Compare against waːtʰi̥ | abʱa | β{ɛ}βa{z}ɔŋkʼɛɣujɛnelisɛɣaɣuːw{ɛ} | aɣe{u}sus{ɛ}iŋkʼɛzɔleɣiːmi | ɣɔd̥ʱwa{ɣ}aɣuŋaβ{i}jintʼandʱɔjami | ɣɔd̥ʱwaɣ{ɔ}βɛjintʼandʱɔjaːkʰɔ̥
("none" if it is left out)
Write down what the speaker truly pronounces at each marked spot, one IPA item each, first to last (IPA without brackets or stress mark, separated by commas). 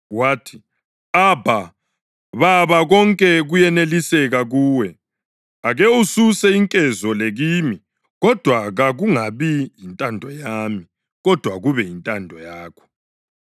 a, ɣ, ɛ, u, ɛ, ɣ, i, u